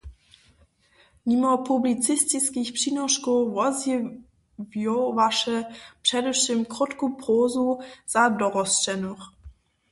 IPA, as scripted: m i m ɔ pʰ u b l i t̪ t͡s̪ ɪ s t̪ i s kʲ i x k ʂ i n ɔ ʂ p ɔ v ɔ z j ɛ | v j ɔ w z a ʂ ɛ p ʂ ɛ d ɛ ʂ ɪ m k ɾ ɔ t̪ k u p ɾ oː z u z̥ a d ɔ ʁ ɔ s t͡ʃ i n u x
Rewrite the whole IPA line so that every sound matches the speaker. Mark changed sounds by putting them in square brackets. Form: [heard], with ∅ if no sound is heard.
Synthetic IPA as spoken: m i m ɔ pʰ u b l i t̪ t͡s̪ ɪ s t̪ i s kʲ i x [p] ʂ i n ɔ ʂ [k] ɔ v ɔ z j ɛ | v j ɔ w [v] a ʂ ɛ p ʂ ɛ d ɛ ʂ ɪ m k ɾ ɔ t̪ k u p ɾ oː z u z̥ a d ɔ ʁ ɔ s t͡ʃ [ɛ] n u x